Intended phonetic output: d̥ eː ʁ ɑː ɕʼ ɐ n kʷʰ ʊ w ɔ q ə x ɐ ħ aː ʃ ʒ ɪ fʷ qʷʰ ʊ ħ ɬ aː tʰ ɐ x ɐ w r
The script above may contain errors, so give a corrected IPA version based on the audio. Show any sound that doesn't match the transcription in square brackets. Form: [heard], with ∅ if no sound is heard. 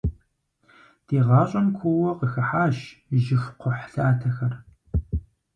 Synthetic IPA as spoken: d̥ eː ʁ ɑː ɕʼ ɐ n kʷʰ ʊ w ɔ q ə x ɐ ħ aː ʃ ʒ ɪ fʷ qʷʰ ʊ ħ ɬ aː tʰ ɐ x ɐ [∅] r